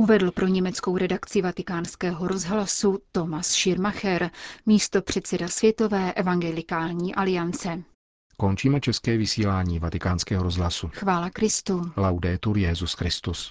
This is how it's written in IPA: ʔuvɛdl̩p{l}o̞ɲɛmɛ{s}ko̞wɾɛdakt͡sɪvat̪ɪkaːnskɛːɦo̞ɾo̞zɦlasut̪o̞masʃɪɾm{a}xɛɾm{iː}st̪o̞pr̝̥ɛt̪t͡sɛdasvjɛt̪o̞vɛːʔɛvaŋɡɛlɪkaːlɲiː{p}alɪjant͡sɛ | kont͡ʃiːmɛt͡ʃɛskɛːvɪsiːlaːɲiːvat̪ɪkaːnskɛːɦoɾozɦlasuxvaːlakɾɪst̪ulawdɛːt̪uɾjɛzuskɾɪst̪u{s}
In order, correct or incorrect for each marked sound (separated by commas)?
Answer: incorrect, incorrect, correct, correct, incorrect, correct